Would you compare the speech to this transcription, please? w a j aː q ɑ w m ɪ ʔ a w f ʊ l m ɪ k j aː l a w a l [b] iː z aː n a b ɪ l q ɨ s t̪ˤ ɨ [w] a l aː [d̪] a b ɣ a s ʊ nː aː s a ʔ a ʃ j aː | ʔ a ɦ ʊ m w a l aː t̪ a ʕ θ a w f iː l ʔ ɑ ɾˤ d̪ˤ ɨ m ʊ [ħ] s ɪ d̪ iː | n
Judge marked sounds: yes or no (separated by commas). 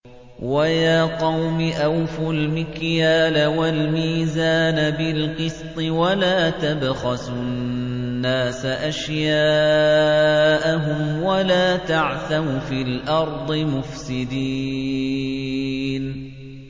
no, yes, no, no